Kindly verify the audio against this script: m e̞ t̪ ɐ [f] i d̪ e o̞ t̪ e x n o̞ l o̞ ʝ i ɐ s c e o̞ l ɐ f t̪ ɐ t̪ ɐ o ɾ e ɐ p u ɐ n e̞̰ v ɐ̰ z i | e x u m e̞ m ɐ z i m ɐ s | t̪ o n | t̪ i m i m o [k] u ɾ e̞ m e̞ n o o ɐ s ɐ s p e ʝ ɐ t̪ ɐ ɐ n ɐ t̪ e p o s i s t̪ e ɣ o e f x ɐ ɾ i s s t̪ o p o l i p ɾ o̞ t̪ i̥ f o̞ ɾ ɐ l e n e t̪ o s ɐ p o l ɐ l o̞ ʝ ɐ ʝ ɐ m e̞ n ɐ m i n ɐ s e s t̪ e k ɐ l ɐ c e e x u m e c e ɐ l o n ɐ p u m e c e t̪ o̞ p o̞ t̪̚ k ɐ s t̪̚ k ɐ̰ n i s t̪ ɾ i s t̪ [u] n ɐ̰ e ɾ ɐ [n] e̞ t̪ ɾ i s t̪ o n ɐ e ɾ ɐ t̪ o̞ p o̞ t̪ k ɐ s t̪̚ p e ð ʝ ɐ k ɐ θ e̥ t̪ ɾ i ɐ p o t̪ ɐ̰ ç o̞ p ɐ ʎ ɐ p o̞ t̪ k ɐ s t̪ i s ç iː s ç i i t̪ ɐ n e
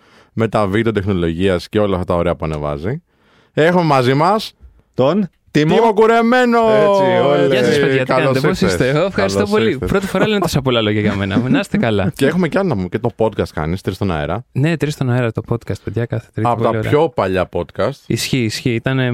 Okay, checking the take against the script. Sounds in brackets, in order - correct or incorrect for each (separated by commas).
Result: incorrect, correct, incorrect, correct